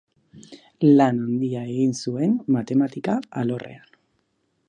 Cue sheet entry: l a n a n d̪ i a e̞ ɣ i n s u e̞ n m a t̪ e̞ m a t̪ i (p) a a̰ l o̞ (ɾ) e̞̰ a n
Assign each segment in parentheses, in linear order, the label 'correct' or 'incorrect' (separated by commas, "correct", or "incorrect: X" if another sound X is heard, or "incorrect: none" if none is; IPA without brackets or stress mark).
incorrect: k, incorrect: r